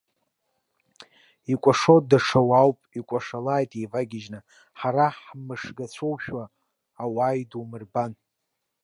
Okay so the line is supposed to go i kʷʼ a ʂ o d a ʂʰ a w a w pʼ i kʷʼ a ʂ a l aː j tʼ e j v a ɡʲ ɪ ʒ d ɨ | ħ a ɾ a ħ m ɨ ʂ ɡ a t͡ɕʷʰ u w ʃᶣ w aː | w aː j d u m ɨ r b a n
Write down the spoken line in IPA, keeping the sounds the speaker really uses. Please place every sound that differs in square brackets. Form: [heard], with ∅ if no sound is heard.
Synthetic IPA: i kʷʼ a ʂ o d a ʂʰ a w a w pʼ i kʷʼ a ʂ a l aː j tʼ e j v a ɡʲ ɪ ʒ [n] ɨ | ħ a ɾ a ħ m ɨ ʂ ɡ a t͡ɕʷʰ [o] w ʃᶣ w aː | w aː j d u m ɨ r b a n

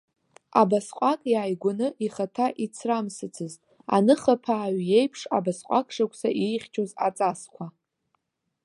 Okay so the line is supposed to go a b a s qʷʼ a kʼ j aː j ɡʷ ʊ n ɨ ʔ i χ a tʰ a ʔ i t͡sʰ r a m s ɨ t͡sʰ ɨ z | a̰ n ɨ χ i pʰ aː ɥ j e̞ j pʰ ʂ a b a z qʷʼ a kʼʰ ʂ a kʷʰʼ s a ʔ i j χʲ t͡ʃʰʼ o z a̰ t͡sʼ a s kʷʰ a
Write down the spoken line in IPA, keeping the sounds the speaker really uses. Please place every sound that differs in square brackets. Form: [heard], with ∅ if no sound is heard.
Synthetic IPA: a b a s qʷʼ a kʼ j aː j ɡʷ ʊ n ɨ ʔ i χ a tʰ a ʔ i t͡sʰ r a m s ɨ t͡sʰ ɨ z | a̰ n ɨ χ [a] pʰ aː ɥ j e̞ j pʰ ʂ a b a [s] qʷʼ a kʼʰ ʂ a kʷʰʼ s a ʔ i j χʲ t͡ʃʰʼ o z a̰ t͡sʼ a s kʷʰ a

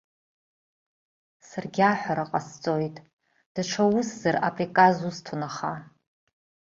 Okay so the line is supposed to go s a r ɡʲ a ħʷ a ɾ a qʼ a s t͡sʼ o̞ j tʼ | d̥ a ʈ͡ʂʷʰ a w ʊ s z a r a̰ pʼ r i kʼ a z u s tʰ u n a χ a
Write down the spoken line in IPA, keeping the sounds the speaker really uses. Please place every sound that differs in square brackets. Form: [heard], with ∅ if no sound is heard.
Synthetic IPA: s a r ɡʲ a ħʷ a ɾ a qʼ a s t͡sʼ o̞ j tʼ | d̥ a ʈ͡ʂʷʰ a w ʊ s z a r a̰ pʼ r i kʼ a z u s tʰ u n a χ a

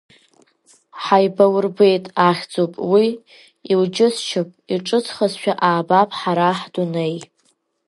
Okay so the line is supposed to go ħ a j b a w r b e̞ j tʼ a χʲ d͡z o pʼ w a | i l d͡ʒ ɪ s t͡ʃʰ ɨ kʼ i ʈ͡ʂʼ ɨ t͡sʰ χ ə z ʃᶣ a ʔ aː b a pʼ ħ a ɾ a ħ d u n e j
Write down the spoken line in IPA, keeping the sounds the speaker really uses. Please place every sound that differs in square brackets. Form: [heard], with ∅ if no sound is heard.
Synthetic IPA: ħ a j b a w r b e̞ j tʼ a χʲ d͡z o pʼ w [i] | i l d͡ʒ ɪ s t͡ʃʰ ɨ [pʼ] i ʈ͡ʂʼ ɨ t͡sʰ χ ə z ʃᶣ a ʔ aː b a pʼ ħ a ɾ a ħ d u n e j

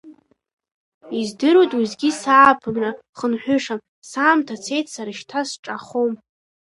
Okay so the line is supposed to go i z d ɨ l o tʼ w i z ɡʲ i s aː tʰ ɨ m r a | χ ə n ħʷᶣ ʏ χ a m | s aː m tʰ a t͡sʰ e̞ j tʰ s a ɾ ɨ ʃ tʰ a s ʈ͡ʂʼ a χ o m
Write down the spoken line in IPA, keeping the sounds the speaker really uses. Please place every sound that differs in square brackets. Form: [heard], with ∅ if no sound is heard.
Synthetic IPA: i z d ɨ [ɾ] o tʼ w i z ɡʲ i s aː [pʰ] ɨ m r a | χ ə n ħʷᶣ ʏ [ʂ] a m | s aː m tʰ a t͡sʰ e̞ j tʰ s a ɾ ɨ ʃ tʰ a s ʈ͡ʂʼ a χ o m

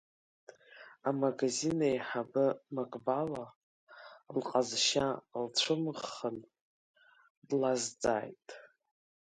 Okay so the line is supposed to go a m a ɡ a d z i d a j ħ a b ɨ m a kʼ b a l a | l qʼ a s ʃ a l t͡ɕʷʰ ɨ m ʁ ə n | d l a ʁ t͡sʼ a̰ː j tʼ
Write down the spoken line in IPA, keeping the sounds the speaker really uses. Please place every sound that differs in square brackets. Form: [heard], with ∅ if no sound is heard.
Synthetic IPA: a m a ɡ a [∅] z i [n] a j ħ a b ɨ m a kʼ b a l a | l qʼ a [z] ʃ a l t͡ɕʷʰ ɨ m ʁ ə n | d l a [z] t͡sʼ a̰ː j tʼ

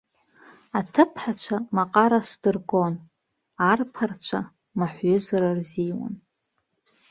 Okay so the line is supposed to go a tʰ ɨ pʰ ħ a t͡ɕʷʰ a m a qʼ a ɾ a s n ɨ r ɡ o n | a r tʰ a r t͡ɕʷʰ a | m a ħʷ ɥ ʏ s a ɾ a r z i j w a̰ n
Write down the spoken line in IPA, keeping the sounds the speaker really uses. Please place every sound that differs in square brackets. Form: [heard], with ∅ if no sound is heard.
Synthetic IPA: a tʰ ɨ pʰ ħ a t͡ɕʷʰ a m a qʼ a ɾ a s [d] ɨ r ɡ o n | a r [pʰ] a r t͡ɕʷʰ a | m a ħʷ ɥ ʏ [z] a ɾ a r z i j w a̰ n

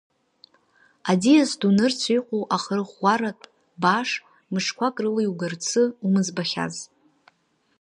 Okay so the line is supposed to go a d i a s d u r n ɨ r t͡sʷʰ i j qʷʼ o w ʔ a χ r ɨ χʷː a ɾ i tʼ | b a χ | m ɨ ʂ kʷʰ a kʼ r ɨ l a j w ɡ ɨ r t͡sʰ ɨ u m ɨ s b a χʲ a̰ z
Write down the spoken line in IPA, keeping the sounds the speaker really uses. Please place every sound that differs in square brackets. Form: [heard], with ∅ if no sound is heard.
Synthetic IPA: a d i a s d u [∅] n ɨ r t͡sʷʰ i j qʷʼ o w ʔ a χ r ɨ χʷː a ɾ [a] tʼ | b a [ʂ] | m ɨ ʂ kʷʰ a kʼ r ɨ l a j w ɡ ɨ r t͡sʰ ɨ u m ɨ [z] b a χʲ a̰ z

